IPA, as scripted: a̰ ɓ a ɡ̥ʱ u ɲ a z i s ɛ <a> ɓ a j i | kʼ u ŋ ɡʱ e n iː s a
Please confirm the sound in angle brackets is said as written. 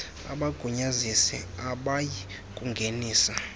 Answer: yes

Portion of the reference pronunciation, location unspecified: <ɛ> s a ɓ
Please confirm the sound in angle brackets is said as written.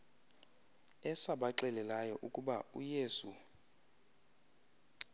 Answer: yes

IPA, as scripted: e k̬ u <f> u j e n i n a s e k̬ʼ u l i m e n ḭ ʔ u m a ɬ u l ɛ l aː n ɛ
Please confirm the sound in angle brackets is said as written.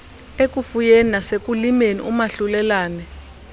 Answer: yes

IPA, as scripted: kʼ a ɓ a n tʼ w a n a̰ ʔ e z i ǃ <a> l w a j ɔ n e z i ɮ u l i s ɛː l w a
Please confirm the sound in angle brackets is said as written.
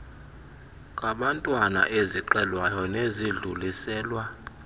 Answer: no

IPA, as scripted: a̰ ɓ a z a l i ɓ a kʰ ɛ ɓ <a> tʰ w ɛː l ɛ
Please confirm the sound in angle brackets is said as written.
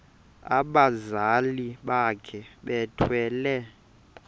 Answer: no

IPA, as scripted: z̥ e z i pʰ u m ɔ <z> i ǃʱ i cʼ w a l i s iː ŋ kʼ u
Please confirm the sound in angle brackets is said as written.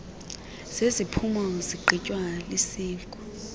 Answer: yes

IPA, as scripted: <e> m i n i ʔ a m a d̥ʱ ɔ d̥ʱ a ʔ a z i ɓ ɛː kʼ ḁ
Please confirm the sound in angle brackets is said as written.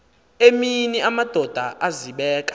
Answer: yes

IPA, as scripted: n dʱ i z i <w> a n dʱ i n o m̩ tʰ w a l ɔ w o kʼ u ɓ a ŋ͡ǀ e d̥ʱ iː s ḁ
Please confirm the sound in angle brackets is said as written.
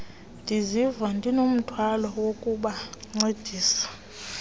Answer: no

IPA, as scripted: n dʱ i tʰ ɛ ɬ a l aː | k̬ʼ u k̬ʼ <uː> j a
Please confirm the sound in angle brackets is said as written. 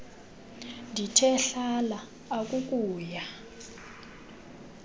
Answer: yes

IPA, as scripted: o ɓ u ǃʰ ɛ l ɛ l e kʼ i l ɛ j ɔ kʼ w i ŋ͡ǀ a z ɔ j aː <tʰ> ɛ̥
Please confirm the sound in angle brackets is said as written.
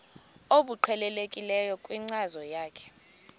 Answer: no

